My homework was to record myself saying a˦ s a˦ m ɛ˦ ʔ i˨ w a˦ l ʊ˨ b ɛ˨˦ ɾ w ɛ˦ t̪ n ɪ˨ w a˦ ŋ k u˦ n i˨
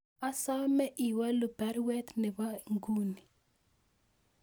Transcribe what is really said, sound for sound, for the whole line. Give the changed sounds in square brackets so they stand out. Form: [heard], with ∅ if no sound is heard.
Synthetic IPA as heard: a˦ s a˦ m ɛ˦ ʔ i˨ w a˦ l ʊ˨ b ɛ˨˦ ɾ w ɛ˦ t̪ n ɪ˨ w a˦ ŋ [ɡ] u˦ n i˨